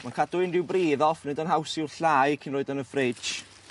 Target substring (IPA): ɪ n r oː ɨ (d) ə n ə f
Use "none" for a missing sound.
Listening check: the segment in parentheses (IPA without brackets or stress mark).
d